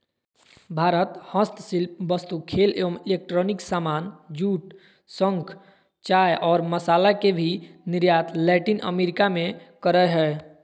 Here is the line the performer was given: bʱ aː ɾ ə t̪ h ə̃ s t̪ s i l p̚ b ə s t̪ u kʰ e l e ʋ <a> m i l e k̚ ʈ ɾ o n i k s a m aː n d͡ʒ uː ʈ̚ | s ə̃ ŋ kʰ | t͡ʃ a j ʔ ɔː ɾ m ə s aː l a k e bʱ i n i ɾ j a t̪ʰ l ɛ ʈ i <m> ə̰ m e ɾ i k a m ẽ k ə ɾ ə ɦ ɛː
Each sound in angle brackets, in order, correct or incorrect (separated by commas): incorrect, incorrect